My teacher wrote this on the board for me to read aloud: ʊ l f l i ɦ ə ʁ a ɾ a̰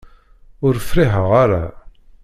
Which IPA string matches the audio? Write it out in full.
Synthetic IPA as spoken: ʊ ɾ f ɾ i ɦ ə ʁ a ɾ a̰